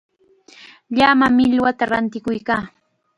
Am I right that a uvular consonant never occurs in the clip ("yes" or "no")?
yes